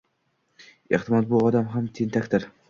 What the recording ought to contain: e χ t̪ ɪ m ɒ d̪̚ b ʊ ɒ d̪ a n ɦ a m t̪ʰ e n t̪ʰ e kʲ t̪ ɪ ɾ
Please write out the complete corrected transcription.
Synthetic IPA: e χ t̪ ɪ m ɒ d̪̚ b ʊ ɒ d̪ a m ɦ a m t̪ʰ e n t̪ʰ a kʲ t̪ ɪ ɾ